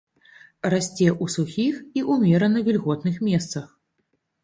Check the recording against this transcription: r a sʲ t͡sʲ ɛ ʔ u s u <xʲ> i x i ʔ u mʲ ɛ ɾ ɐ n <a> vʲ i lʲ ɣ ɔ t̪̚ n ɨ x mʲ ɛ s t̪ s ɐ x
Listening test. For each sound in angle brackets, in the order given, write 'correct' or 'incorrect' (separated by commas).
correct, incorrect